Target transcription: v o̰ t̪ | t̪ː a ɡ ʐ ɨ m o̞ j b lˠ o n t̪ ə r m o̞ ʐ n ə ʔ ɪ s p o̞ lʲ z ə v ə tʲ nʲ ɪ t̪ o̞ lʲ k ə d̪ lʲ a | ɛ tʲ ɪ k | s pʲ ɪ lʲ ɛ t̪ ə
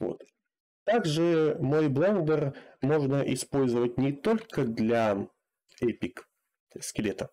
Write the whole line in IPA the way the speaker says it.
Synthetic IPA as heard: v o̰ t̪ | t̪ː a ɡ ʐ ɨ m o̞ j b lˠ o n d̪ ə r m o̞ ʐ n ə ʔ ɪ s p o̞ lʲ z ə v ə tʲ nʲ ɪ t̪ o̞ lʲ k ə d̪ lʲ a | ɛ pʲ ɪ k | s kʲ ɪ lʲ e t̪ ə